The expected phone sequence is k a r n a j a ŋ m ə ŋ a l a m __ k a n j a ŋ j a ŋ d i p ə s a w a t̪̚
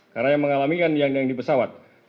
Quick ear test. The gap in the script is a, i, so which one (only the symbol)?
i